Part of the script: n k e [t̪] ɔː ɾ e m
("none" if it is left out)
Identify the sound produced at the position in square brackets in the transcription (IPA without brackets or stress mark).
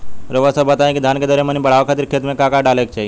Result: d̪